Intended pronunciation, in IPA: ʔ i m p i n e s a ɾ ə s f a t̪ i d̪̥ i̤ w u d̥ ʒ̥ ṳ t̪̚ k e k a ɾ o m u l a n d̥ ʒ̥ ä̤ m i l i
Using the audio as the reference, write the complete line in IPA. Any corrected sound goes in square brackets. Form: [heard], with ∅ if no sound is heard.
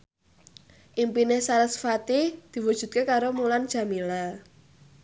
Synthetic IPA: ʔ i m p i n e s a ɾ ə s f a t̪ i d̪̥ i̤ w u d̥ ʒ̥ ṳ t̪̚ k e k a ɾ o m u l a n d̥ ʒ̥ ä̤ m i l [a]